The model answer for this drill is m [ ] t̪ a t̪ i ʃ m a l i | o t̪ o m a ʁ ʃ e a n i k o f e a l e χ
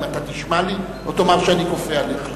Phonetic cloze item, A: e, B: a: B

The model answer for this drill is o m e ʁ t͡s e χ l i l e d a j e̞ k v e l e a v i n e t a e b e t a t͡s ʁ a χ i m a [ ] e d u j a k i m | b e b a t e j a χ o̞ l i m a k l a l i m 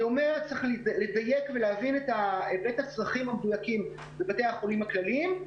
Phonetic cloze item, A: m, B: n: A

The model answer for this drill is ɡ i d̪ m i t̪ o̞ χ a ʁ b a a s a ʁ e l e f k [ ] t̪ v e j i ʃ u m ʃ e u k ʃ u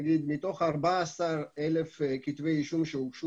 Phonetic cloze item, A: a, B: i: B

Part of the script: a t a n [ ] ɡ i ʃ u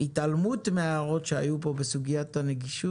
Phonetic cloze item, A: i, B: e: B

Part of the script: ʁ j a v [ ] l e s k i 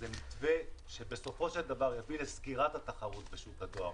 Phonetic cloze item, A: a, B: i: B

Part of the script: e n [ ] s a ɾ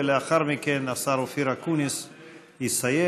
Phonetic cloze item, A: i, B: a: B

